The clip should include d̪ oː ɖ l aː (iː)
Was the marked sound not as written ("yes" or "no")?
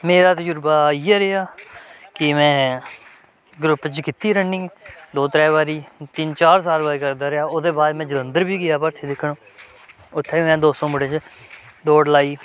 no